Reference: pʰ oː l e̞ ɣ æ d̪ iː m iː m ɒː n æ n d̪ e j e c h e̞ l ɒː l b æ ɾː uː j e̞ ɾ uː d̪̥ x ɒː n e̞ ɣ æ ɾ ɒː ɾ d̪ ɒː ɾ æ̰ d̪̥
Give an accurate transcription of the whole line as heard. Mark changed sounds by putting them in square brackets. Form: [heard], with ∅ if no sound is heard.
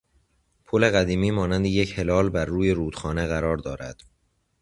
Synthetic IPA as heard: pʰ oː l e̞ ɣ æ d̪ iː m iː m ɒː n æ n d̪ e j e c h e̞ l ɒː l b æ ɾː uː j e̞ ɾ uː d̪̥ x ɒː n e̞ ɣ æ ɾ ɒː ɾ d̪ ɒː ɾ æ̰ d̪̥